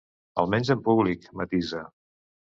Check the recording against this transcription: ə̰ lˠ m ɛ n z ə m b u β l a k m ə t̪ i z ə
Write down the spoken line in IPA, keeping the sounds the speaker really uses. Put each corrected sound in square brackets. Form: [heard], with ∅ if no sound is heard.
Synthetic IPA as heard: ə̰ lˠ m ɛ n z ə m [p] u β l [i] k m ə t̪ i z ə